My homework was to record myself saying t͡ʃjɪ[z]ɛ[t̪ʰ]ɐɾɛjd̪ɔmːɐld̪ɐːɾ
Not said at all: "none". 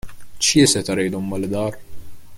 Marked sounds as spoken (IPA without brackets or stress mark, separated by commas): s, t̪